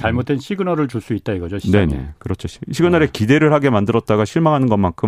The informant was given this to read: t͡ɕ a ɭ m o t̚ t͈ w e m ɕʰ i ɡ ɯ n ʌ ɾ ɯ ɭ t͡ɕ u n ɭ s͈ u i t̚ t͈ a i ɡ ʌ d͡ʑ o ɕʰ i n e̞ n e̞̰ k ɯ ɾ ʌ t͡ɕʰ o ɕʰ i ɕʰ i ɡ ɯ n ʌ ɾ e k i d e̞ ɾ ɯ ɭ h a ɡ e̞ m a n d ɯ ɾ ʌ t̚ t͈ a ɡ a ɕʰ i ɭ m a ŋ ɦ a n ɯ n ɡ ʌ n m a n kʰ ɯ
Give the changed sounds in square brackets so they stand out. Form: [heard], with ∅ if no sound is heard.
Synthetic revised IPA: t͡ɕ a ɭ m o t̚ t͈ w e [n] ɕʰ i ɡ ɯ n ʌ ɾ ɯ ɭ t͡ɕ u [∅] ɭ s͈ u i t̚ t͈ a i ɡ ʌ d͡ʑ o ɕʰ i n e̞ n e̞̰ k ɯ ɾ ʌ t͡ɕʰ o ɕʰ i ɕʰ i ɡ ɯ n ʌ ɾ e k i d e̞ ɾ ɯ ɭ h a ɡ e̞ m a n d ɯ ɾ ʌ t̚ t͈ a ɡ a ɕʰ i ɭ m a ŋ ɦ a n ɯ n ɡ ʌ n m a n kʰ ɯ